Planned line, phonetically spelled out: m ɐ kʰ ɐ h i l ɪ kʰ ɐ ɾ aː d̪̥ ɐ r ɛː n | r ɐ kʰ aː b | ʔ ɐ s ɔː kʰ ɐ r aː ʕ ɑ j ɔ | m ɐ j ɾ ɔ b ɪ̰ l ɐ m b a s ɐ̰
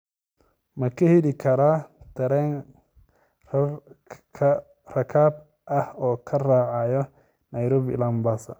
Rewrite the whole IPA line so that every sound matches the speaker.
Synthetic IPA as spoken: m ɐ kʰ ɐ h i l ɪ kʰ ɐ ɾ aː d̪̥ ɐ ɾ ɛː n | r ɐ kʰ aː b | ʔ ɐ h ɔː kʰ ɐ r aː ʕ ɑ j ɔ | n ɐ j ɾ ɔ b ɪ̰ l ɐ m b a s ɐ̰